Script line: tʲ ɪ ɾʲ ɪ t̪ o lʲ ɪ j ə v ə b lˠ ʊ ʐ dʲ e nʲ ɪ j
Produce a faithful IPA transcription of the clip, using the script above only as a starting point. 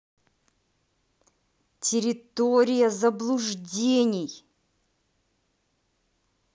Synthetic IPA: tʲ ɪ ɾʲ ɪ t̪ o ɾʲ ɪ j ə z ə b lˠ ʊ ʐ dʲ e nʲ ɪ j